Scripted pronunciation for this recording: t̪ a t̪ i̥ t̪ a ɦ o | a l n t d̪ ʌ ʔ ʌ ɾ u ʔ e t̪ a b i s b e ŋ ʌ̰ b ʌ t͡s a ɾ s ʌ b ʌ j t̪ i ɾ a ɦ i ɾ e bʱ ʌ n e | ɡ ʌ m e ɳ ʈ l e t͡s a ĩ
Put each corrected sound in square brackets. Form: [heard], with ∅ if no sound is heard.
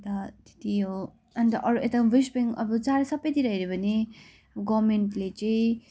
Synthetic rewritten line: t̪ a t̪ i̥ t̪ [i] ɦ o | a [∅] n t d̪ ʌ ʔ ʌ ɾ u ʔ e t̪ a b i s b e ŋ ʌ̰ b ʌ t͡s a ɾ s ʌ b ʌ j t̪ i ɾ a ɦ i ɾ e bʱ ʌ n e | ɡ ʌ m e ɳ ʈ l e t͡s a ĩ

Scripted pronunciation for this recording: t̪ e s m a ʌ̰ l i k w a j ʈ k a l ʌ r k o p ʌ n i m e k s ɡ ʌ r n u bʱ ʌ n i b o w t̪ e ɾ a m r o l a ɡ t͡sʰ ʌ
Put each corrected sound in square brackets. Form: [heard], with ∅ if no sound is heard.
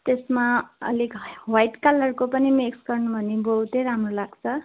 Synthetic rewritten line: t̪ e s m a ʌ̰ l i k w a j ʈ k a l ʌ r k o p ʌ n i m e k s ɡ ʌ r n u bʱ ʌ n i b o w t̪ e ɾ a m r o l a ɡ t͡sʰ ʌ

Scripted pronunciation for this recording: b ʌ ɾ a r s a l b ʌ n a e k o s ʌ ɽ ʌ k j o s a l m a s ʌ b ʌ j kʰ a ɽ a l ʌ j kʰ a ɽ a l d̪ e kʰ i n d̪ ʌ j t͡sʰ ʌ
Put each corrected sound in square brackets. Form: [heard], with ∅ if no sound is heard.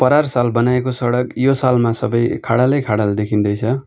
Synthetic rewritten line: [p] ʌ ɾ a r s a l b ʌ n a e k o s ʌ ɽ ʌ k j o s a l m a s ʌ b ʌ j kʰ a ɽ a l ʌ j kʰ a ɽ a l d̪ e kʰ i n d̪ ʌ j t͡sʰ ʌ

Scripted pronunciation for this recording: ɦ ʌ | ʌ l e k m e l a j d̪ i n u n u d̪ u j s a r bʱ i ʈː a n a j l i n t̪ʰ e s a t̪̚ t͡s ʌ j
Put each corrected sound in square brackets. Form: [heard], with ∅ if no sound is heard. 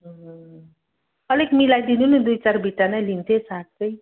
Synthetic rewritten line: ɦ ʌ | ʌ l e k m [i] l a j d̪ i n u n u d̪ u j [t͡s] a r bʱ i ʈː a n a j l i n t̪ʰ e s a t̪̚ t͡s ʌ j

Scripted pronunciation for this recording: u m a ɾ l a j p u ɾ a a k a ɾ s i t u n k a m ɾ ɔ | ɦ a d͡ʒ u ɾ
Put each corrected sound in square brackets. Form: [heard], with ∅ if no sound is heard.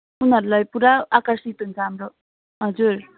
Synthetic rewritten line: u [n] a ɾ l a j p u ɾ a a k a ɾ s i t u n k a m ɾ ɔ | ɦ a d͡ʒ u ɾ

